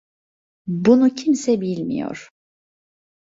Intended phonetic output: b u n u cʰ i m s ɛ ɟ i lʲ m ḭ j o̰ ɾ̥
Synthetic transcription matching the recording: b u n u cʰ i m s ɛ b i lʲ m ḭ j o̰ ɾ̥

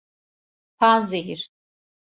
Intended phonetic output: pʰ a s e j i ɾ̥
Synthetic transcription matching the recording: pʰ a z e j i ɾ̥

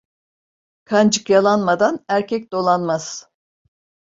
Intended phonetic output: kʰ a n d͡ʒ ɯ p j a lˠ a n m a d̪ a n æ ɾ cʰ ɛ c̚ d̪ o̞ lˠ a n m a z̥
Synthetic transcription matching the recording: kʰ a n d͡ʒ ɯ k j a lˠ a n m a d̪ a n æ ɾ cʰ ɛ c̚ d̪ o̞ lˠ a n m a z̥

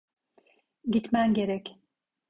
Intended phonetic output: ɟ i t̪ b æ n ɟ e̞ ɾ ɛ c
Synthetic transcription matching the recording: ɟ i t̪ m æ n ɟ e̞ ɾ ɛ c

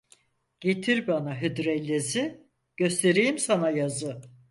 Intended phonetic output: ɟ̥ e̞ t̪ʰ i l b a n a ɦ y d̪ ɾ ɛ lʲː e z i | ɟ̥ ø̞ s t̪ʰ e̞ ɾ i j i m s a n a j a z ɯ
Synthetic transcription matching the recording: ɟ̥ e̞ t̪ʰ i ɾ b a n a ɦ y d̪ ɾ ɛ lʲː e z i | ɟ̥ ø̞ s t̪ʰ e̞ ɾ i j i m s a n a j a z ɯ

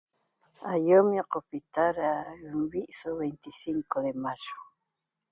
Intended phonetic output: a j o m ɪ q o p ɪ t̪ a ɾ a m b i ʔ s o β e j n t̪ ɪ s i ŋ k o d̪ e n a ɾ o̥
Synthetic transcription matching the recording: a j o m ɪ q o p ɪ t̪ a ɾ a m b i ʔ s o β e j n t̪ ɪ s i ŋ k o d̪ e m a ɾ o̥

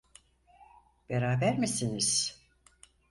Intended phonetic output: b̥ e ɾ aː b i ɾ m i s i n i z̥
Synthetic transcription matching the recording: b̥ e ɾ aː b æ ɾ m i s i n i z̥

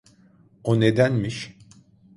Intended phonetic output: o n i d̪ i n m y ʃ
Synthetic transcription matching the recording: o n e d̪ æ n m i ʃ

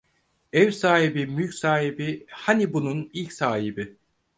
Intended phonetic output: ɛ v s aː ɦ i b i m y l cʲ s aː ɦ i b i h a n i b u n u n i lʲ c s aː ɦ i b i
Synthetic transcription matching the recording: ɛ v s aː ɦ i b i m y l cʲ s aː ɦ i b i h a n i b u n u n i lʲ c s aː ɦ i b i

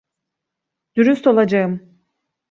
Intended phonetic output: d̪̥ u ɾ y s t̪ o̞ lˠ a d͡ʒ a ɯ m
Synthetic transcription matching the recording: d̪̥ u ɾ y s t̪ o̞ lˠ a d͡ʒ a ɯ m

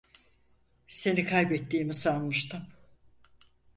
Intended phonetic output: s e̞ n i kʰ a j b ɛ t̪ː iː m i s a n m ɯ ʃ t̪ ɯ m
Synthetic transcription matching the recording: s e̞ n i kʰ a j b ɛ t̪ː iː m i s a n m ɯ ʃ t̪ ɯ m

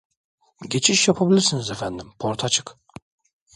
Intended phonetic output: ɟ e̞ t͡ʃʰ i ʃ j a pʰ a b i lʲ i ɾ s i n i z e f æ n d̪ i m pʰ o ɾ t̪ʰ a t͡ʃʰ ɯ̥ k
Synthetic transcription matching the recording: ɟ e̞ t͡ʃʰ i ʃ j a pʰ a b i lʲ i ɾ s i n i z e f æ n d̪ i m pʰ o ɾ t̪ʰ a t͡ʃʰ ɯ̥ k

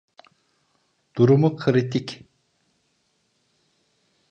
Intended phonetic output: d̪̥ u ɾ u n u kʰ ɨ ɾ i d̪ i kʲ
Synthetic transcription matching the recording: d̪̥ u ɾ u m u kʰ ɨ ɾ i t̪ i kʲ

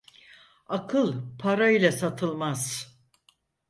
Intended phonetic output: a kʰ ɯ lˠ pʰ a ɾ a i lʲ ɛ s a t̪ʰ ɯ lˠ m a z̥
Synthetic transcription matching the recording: a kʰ ɯ lˠ pʰ a ɾ a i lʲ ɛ s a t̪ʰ ɯ lˠ m a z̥

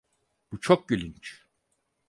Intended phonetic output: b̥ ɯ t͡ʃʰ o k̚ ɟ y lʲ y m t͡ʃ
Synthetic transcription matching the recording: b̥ u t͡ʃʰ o k̚ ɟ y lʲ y n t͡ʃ

